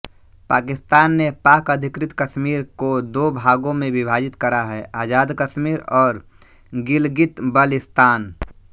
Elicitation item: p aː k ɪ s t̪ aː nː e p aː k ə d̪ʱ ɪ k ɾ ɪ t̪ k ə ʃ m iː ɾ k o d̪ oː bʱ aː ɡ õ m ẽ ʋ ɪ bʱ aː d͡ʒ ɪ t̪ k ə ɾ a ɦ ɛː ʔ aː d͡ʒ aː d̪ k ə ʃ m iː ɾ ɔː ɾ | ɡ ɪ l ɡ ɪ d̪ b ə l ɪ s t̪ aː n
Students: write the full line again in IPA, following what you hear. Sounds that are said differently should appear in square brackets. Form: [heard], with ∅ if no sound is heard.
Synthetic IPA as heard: p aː k ɪ s t̪ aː nː e p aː k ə d̪ʱ ɪ k ɾ ɪ t̪ k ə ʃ m iː ɾ k o d̪ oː bʱ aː ɡ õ m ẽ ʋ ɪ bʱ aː d͡ʒ ɪ t̪ k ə ɾ a ɦ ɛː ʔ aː d͡ʒ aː d̪ k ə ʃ m iː ɾ ɔː ɾ | ɡ ɪ l ɡ ɪ [t̪] b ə l ɪ s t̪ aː n